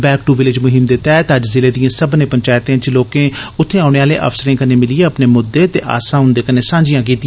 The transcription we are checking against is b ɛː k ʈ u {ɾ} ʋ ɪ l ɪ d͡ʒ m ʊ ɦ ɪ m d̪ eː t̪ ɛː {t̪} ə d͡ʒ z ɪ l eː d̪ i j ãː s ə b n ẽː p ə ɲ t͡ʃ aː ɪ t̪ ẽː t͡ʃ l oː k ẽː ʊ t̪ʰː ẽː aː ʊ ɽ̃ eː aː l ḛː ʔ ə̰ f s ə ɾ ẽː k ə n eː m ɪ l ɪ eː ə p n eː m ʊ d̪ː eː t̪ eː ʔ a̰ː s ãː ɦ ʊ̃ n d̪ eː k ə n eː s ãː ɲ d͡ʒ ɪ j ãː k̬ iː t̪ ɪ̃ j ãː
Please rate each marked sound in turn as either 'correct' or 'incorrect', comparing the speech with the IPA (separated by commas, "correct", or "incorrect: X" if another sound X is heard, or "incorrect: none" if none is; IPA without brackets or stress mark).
incorrect: none, correct